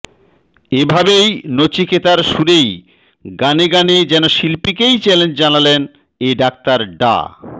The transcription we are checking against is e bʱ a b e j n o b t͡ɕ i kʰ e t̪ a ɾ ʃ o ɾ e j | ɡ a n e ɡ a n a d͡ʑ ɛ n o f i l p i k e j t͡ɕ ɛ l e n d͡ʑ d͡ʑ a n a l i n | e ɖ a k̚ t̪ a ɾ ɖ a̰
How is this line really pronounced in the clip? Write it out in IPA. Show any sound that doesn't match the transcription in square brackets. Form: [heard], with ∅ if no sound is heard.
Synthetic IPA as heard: e bʱ a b e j n o [∅] t͡ɕ i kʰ e t̪ a ɾ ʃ [u] ɾ e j | ɡ a n e ɡ a n [e] d͡ʑ ɛ n o [ʃ] i l p i k e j t͡ɕ ɛ l e n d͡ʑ d͡ʑ a n a l [e] n | e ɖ a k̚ t̪ a ɾ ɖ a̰